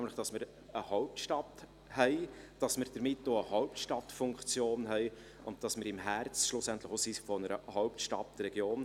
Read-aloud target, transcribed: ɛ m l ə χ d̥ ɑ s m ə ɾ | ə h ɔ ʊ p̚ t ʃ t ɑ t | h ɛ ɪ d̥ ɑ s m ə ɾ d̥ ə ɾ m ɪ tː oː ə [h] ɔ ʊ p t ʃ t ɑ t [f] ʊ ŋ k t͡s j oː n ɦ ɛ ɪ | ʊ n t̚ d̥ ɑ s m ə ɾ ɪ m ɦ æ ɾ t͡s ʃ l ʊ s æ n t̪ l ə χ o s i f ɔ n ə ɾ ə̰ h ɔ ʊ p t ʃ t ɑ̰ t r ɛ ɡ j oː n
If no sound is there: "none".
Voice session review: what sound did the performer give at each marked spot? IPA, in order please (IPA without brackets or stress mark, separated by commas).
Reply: h, f